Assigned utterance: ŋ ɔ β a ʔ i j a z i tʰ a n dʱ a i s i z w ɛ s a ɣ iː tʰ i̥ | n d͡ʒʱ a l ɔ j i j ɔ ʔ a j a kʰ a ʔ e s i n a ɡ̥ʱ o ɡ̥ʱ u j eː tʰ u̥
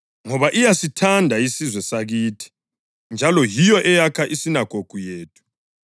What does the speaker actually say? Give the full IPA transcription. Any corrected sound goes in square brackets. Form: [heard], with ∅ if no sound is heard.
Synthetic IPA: ŋ ɔ β a ʔ i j a [s] i tʰ a n dʱ a i s i z w ɛ s a ɣ iː tʰ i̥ | n d͡ʒʱ a l ɔ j i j ɔ ʔ [ɛ] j a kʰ a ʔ [i] s i n a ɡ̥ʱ o ɡ̥ʱ u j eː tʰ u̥